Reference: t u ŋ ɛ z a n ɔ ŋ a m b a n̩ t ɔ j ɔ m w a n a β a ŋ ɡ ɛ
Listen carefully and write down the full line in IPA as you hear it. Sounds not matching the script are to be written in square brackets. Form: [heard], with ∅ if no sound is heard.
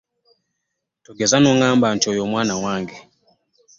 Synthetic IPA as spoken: t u [ɡ] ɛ z a n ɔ ŋ a m b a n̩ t ɔ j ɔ m w a n a [w] a ŋ ɡ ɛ